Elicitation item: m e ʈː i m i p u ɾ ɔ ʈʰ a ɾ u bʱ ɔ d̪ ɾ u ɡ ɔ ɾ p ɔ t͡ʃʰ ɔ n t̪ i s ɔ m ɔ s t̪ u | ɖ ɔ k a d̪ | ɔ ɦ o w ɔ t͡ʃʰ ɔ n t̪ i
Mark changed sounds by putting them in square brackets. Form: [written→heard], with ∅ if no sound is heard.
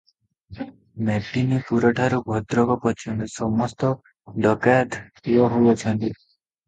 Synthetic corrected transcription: m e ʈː i [m→n] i p u ɾ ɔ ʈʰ a ɾ u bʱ ɔ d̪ ɾ [u→ɔ] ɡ ɔ [ɾ→∅] p ɔ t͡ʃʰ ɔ n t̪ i s ɔ m ɔ s t̪ [u→ɔ] | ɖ ɔ k a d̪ | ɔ ɦ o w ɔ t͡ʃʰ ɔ n t̪ i